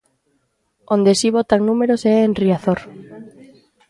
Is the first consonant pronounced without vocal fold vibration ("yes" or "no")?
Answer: no